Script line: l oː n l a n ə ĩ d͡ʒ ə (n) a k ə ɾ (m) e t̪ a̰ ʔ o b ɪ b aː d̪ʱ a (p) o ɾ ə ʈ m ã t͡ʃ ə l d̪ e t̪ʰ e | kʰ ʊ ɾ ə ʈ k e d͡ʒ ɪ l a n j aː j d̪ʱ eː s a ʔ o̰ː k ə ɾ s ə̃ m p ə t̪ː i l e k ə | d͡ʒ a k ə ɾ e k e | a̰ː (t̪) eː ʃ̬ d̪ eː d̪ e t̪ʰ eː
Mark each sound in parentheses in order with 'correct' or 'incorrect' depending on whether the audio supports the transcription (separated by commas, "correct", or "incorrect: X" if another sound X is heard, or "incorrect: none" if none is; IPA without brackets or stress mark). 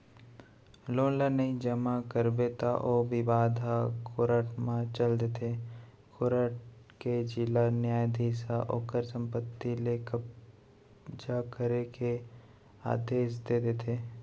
incorrect: m, incorrect: b, incorrect: k, incorrect: d̪